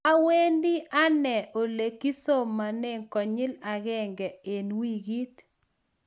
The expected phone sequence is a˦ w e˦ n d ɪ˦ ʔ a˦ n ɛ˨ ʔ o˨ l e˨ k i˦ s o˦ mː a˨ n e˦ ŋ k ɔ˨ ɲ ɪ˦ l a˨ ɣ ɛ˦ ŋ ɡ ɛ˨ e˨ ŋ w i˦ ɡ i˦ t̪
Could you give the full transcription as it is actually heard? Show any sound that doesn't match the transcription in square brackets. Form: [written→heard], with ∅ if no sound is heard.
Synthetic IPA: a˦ w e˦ n d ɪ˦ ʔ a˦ n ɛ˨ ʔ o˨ l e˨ k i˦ s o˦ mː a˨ n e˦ ŋ k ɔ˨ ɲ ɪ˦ l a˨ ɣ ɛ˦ ŋ ɡ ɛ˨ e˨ [ŋ→n] w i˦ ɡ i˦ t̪